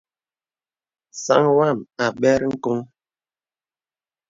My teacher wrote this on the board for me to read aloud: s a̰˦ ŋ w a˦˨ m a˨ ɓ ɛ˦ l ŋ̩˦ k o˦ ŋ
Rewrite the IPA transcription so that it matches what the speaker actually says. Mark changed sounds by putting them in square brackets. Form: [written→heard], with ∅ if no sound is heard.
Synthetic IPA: s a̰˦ ŋ w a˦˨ m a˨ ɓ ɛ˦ [l→ɾ] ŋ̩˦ k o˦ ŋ